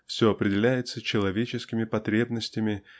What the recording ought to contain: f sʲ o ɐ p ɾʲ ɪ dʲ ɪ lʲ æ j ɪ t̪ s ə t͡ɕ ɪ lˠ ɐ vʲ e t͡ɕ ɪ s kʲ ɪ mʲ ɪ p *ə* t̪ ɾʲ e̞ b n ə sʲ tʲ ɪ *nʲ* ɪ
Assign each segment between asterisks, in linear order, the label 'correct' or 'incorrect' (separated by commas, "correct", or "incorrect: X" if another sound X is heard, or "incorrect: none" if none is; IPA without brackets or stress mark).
incorrect: ɐ, incorrect: mʲ